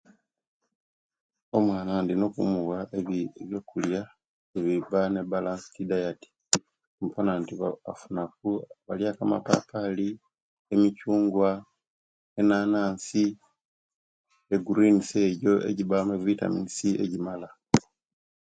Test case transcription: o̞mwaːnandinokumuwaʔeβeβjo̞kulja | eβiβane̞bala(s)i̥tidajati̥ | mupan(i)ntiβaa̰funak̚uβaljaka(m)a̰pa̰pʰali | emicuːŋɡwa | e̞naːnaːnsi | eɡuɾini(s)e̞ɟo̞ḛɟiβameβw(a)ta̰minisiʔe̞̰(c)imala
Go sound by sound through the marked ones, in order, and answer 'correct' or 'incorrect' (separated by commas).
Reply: correct, incorrect, correct, correct, incorrect, incorrect